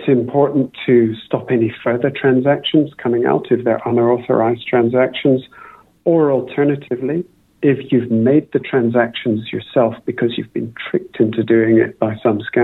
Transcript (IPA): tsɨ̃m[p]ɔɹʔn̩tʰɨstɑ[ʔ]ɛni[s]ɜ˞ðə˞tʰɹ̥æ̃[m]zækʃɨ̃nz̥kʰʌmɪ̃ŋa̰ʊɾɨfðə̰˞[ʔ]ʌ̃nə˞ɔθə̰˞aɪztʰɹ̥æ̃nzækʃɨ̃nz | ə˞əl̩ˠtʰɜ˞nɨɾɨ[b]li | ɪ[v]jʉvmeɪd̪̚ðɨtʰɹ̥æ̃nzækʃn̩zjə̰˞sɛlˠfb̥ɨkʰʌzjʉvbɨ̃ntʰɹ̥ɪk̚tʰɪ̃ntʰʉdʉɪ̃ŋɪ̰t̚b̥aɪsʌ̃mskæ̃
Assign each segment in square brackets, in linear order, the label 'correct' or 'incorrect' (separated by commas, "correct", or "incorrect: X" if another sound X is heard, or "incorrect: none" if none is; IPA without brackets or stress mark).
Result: incorrect: pʰ, incorrect: p, incorrect: f, incorrect: n, correct, incorrect: v, incorrect: f